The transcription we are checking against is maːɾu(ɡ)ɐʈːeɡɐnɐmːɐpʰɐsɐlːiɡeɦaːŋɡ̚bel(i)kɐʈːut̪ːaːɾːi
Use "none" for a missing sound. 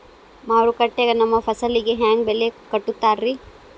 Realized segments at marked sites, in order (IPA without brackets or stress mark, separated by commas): k, e